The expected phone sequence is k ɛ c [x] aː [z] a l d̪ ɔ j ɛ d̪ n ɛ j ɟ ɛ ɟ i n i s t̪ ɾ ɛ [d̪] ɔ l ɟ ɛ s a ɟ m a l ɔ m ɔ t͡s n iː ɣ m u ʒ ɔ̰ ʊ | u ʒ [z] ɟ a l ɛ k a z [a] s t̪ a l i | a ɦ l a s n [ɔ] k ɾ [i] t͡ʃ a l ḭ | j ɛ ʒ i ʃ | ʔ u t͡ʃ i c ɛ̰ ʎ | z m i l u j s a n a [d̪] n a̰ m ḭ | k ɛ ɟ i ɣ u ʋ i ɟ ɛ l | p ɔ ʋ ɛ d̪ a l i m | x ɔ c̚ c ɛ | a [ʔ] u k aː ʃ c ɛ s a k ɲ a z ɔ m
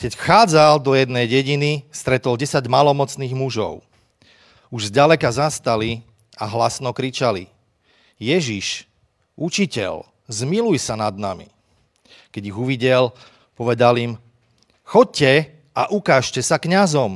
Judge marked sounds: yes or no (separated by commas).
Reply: yes, no, no, yes, yes, yes, yes, yes, yes